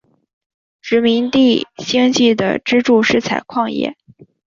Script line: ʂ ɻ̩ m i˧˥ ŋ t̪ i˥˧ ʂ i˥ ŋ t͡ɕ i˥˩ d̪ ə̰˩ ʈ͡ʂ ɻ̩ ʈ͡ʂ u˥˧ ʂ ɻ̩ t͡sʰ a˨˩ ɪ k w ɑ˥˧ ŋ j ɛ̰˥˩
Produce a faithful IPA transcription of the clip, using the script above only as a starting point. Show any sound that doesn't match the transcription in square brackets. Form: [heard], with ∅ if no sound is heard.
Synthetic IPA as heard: [ʈ͡ʂ] ɻ̩ m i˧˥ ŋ t̪ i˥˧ [ɕ] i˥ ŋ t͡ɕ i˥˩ d̪ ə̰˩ ʈ͡ʂ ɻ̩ ʈ͡ʂ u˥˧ ʂ ɻ̩ t͡sʰ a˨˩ ɪ [kʰ] w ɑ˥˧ ŋ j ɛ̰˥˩